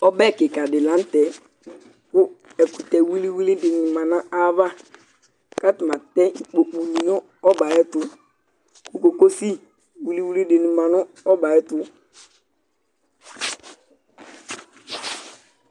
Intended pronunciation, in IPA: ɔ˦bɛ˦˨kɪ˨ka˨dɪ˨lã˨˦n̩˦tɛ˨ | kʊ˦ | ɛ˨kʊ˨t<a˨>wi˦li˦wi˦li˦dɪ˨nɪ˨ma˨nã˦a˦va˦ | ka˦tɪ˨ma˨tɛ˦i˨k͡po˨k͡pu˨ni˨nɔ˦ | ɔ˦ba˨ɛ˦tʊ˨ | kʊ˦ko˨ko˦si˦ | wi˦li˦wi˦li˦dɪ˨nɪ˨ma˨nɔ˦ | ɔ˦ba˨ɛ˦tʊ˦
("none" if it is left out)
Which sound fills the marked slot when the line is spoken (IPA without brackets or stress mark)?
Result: ɛ˨